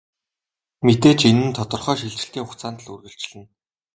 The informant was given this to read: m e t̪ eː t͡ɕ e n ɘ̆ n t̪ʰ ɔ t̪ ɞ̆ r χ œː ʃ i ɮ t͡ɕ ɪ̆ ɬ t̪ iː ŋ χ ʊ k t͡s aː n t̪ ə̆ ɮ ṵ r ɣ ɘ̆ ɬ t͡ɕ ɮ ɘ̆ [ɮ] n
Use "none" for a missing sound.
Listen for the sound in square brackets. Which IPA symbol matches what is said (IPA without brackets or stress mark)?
none